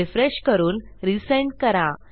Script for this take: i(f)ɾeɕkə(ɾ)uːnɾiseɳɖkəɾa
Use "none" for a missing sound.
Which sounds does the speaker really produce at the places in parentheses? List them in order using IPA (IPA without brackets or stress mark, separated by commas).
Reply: f, ɾ